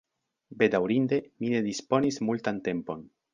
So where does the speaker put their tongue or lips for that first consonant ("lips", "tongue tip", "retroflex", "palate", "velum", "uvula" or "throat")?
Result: lips